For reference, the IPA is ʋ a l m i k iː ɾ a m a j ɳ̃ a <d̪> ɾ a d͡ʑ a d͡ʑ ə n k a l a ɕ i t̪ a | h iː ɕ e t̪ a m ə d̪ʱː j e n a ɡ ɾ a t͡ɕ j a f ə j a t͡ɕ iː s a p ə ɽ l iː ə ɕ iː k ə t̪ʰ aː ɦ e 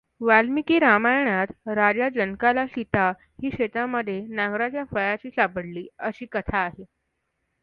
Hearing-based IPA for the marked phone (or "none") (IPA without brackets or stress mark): t̪